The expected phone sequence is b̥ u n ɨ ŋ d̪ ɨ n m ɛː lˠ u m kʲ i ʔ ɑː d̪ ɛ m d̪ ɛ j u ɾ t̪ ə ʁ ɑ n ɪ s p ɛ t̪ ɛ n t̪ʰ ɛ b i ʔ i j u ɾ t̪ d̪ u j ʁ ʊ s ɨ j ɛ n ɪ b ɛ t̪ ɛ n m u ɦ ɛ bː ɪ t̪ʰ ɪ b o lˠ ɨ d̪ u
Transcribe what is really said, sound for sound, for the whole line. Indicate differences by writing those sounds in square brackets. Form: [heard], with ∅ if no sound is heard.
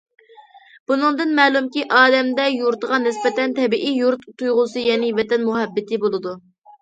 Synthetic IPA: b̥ u n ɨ ŋ d̪ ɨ n m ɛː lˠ u m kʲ i ʔ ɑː d̪ ɛ m d̪ ɛ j u ɾ t̪ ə ʁ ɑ n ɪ s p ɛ t̪ ɛ n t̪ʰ ɛ b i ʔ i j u ɾ t̪ [t̪] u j ʁ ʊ s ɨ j ɛ n ɪ [v] ɛ t̪ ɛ n m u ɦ ɛ bː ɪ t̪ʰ ɪ b o lˠ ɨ d̪ u